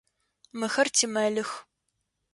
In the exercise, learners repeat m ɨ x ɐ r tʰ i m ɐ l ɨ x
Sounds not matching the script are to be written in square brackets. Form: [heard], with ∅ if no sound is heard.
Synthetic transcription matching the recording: m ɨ x ɐ r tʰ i m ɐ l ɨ x